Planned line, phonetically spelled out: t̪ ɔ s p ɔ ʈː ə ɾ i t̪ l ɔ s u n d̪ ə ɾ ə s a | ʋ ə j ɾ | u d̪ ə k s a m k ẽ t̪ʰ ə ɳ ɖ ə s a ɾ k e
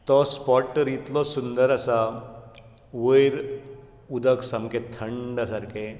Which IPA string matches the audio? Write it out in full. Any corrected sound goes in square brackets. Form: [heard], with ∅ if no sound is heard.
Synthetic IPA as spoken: t̪ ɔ s p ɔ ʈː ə ɾ i t̪ l ɔ s u n d̪ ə ɾ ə s a | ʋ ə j ɾ | u d̪ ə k s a m k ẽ t̪ʰ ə ɳ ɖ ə s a ɾ k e